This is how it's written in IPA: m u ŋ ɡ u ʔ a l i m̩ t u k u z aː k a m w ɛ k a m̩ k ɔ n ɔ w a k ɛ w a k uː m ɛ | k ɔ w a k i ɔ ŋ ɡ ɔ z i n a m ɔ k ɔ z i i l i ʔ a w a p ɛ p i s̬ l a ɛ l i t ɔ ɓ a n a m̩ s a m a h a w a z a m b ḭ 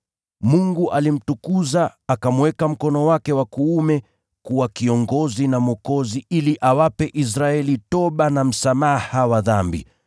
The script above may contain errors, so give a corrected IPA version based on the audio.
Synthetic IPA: m u ŋ ɡ u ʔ a l i m̩ t u k u z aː k a m w ɛ k a m̩ k ɔ n ɔ w a k ɛ w a k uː m ɛ | k u w a k i ɔ ŋ ɡ ɔ z i n a m ɔ k ɔ z i i l i ʔ a w a p ɛ ʔ i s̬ ɾ a ɛ l i t ɔ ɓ a n a m̩ s a m a h a w a ð a m b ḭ